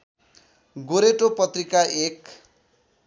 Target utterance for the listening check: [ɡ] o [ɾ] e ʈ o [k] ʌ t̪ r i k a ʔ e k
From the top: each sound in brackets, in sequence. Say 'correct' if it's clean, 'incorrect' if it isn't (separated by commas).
correct, correct, incorrect